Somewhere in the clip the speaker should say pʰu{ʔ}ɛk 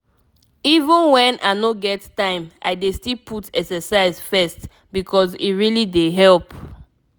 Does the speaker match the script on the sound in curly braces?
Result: no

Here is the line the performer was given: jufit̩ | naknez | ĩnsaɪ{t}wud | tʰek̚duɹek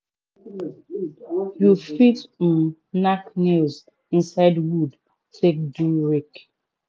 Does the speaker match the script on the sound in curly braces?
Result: no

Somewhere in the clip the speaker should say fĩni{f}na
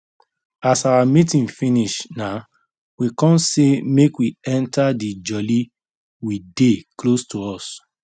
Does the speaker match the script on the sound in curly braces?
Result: no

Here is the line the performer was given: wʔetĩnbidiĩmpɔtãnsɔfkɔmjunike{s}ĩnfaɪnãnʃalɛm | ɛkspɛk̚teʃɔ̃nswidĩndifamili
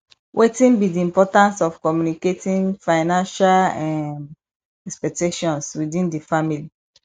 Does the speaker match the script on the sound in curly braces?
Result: no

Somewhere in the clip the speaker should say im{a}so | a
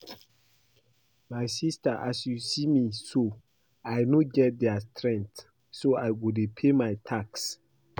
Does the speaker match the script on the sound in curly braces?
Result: no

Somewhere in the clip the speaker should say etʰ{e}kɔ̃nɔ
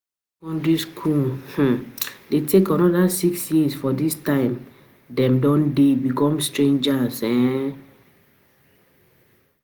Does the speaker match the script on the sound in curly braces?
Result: yes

